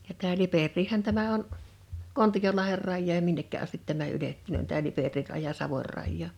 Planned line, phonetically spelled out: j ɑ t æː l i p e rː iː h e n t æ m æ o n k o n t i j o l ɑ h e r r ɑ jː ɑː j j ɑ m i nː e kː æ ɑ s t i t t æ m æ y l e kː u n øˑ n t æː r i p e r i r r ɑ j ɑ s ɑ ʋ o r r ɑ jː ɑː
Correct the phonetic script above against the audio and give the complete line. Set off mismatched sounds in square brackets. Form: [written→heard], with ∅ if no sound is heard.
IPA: j ɑ t æː l i p e rː iː h [e→æ] n t æ m æ o n k o n t i j o l ɑ h e r r ɑ jː ɑː j j ɑ m i nː e kː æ ɑ s t i t t æ m æ y l e [kː→tː] u n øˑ n t æː [r→l] i p e r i r r ɑ j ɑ s ɑ ʋ o r r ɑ jː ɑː